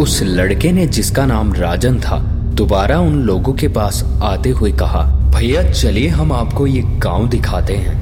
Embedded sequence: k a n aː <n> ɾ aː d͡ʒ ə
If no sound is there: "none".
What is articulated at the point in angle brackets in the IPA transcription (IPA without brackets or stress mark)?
m